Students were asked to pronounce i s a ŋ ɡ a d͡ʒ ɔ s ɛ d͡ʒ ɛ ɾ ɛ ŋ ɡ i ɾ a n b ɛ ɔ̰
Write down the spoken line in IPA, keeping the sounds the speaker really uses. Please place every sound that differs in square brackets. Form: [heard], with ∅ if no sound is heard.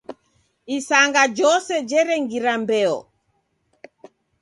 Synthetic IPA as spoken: i s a ŋ ɡ a d͡ʒ ɔ s ɛ d͡ʒ ɛ ɾ ɛ ŋ ɡ i ɾ a [m] b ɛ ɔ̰